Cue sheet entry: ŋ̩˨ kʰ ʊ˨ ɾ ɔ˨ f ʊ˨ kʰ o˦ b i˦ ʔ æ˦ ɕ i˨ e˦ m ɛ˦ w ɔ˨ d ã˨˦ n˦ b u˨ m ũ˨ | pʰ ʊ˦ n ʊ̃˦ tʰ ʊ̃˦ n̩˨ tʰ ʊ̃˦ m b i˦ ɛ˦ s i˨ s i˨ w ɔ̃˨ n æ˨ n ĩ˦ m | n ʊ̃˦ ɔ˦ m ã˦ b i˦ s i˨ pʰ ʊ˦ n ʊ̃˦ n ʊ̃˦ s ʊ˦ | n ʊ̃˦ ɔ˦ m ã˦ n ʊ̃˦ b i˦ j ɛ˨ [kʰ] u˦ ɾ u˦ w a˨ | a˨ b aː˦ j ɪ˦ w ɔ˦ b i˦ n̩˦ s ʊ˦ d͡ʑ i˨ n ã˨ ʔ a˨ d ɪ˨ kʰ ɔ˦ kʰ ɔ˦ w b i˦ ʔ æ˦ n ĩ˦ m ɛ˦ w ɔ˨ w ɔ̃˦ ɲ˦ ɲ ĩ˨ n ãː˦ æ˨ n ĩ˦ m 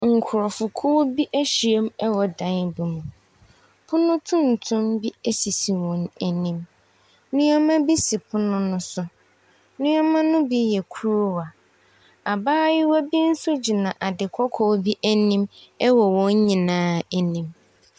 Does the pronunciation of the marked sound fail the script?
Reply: no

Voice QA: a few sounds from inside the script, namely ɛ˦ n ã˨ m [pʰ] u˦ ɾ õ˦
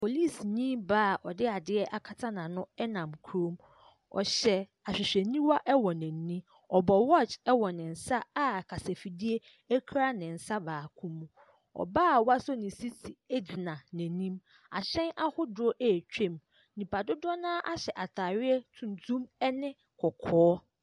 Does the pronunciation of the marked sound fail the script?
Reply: yes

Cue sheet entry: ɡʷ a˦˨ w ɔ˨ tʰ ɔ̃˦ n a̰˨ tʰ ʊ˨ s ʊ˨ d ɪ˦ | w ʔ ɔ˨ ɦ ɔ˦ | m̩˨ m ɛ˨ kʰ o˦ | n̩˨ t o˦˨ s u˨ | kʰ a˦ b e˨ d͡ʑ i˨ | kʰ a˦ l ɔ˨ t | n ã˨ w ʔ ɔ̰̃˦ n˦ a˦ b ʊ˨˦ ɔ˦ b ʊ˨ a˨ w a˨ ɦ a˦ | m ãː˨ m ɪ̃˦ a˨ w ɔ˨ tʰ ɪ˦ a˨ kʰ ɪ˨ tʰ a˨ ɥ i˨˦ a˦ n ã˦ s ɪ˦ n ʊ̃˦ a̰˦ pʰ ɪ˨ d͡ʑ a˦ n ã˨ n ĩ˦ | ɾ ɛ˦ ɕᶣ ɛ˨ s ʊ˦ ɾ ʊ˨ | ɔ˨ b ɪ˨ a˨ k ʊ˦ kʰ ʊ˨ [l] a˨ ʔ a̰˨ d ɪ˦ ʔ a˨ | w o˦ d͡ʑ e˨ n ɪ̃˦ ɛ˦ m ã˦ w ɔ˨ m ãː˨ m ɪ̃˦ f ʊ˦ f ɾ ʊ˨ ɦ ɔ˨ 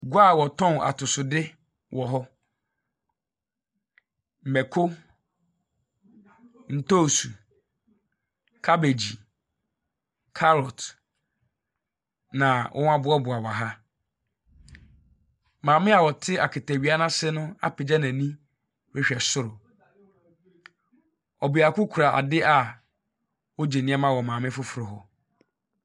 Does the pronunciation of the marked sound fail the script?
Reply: yes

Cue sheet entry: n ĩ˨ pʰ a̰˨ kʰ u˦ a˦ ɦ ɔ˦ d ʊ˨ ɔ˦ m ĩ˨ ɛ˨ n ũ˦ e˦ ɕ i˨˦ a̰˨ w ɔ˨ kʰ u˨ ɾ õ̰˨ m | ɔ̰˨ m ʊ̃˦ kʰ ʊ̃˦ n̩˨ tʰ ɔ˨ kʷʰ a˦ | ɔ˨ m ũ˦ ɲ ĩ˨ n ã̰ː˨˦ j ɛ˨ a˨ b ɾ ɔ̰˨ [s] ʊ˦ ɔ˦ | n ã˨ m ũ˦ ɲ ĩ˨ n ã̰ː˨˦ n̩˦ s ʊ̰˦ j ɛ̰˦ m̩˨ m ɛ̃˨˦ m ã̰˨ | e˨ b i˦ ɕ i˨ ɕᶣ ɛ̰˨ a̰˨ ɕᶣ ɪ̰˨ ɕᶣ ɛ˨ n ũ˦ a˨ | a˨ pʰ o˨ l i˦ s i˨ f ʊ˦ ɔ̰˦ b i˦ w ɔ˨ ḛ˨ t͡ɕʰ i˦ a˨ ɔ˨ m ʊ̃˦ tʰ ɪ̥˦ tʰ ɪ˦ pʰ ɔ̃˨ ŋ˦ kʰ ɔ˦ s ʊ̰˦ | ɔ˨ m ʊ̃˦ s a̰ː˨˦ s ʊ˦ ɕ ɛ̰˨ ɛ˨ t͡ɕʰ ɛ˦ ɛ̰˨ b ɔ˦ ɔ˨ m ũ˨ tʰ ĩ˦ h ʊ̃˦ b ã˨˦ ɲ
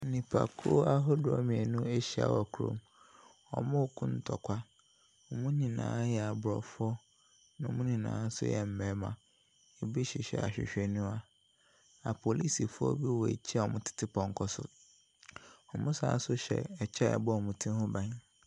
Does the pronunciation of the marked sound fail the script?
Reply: yes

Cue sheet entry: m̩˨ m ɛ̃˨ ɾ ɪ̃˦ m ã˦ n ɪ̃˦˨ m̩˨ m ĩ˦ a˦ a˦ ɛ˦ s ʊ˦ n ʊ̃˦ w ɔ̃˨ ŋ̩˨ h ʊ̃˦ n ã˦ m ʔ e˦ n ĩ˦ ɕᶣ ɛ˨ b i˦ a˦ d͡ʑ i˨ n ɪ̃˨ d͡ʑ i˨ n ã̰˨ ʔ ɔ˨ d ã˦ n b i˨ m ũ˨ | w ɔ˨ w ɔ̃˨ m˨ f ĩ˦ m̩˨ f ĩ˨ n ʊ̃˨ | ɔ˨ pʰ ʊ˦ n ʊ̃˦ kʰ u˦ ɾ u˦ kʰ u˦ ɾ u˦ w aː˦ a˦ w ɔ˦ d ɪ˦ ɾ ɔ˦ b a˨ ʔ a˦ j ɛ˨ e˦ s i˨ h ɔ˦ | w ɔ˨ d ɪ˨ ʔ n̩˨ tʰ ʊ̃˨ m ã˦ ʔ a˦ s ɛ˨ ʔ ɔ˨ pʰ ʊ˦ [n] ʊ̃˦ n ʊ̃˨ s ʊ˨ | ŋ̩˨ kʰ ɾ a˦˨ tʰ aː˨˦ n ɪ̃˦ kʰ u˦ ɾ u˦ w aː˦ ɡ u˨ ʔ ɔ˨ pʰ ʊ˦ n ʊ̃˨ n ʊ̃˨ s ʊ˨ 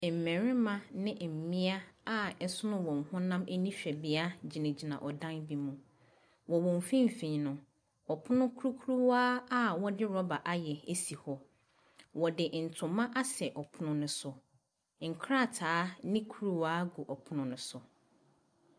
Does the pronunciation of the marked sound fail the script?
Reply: no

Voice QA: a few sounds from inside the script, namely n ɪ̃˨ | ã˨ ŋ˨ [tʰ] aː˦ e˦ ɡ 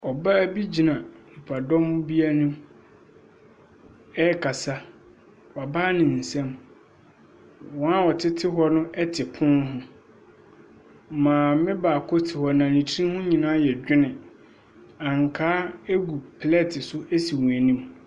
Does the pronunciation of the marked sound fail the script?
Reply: yes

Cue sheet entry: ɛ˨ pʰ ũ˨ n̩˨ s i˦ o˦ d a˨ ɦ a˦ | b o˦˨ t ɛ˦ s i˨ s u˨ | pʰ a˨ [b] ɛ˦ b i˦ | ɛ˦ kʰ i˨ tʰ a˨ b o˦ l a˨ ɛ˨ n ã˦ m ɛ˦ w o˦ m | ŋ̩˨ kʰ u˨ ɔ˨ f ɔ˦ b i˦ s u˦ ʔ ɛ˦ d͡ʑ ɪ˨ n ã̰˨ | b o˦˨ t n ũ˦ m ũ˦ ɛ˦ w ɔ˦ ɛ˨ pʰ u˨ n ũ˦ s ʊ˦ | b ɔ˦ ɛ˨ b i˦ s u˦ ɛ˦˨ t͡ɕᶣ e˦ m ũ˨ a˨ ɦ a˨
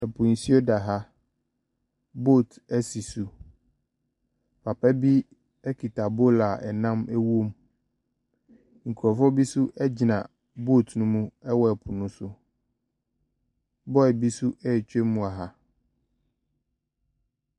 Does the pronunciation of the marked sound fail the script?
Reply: yes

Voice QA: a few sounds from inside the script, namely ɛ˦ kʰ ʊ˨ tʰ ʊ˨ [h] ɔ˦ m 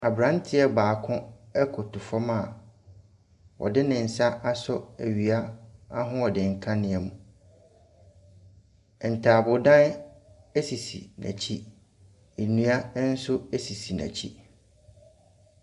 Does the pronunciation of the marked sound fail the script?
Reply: yes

